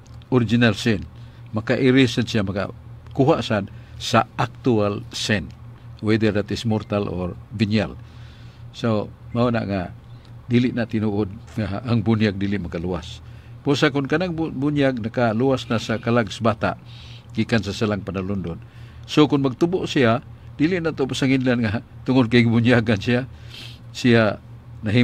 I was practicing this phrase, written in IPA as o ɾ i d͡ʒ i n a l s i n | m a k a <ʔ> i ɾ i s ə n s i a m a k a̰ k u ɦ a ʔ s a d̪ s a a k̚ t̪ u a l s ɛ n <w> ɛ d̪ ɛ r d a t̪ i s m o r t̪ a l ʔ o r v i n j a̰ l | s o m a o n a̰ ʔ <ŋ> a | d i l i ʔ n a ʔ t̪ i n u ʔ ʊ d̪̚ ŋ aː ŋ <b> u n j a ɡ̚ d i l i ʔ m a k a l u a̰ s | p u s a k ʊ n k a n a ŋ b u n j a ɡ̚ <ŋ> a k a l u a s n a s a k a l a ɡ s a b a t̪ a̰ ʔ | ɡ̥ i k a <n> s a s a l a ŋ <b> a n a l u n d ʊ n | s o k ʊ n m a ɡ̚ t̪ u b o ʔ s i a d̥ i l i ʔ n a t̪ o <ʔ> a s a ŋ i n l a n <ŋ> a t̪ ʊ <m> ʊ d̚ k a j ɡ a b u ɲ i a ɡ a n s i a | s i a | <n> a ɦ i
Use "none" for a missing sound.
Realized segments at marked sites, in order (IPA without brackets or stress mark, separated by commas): ʔ, w, ŋ, b, n, n, p, p, ŋ, ŋ, n